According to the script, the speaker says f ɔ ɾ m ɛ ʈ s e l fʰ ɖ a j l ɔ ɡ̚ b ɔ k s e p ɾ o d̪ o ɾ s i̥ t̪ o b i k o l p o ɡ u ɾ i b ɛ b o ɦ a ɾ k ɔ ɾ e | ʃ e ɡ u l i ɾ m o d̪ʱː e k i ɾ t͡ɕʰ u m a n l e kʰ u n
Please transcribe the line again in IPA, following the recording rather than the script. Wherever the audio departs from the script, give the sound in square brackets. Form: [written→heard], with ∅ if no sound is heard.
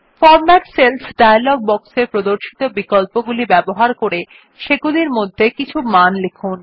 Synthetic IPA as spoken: f ɔ ɾ m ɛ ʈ s e l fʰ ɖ a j l ɔ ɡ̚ b ɔ k s e p ɾ o d̪ o ɾ [s→ʃ] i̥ t̪ o b i k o l p o ɡ u [ɾ→l] i b ɛ b o ɦ a ɾ k [ɔ→o] ɾ e | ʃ e ɡ u l i ɾ m o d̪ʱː e k i [ɾ→∅] t͡ɕʰ u m a n l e kʰ u n